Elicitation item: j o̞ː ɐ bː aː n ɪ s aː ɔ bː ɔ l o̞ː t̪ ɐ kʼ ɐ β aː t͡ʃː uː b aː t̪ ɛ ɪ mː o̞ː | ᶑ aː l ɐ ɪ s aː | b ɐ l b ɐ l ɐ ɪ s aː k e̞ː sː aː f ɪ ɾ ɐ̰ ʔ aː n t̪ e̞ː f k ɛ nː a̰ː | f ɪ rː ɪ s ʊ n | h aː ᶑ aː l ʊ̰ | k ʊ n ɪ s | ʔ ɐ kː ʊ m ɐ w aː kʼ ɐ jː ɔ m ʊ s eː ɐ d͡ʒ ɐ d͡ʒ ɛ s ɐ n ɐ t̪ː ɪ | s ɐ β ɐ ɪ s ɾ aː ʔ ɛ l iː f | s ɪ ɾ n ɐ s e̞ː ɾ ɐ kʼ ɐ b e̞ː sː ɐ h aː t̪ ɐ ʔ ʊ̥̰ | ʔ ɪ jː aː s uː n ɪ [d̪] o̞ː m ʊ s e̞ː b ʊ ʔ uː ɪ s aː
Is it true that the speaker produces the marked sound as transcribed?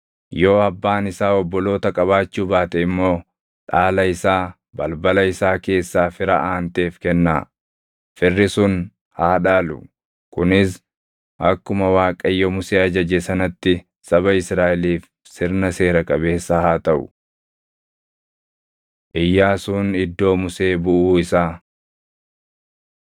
no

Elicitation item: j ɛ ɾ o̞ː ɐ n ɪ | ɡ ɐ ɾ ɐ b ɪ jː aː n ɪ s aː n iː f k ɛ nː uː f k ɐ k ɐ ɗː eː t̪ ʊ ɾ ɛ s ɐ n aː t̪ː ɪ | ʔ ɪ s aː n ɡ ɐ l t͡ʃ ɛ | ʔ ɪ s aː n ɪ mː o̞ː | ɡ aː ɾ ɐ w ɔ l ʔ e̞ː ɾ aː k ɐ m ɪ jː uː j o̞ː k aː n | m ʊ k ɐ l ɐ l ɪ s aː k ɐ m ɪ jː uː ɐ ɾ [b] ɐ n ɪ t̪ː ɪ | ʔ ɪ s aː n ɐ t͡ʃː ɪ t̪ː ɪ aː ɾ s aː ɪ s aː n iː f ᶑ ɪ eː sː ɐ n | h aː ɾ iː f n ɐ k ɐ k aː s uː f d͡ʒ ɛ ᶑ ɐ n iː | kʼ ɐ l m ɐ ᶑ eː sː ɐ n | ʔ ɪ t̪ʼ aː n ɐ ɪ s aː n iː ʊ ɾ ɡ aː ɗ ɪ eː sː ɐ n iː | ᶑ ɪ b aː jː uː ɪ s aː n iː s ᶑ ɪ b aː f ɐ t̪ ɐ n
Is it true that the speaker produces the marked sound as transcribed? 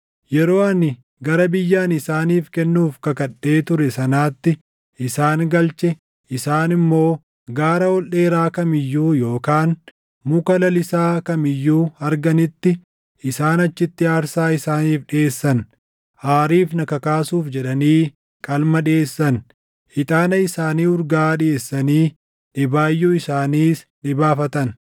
no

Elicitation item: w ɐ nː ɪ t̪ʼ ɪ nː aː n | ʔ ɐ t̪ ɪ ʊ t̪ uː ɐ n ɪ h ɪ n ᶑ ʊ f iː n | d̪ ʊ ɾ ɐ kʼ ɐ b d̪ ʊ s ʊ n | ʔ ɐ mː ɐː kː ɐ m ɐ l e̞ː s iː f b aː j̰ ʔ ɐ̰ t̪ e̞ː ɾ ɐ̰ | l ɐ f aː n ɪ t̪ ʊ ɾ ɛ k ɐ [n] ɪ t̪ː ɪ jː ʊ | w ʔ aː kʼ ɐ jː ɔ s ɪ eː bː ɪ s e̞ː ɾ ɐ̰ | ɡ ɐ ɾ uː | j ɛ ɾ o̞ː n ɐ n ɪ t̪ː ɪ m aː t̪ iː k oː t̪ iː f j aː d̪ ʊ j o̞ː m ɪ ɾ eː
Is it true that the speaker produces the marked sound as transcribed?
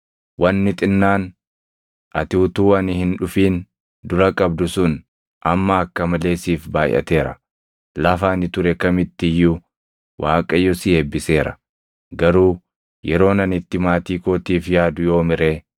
no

